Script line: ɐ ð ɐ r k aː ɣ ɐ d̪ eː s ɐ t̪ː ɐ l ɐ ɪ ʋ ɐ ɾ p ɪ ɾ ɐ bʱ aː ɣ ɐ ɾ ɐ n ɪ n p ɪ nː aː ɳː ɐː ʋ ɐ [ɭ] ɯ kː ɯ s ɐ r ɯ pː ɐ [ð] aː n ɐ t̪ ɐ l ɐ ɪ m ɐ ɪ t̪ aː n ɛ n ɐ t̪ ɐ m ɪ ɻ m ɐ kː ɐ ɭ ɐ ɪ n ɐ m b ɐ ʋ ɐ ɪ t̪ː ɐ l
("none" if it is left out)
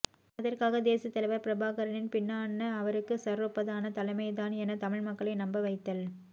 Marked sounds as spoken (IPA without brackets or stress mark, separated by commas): ɾ, ð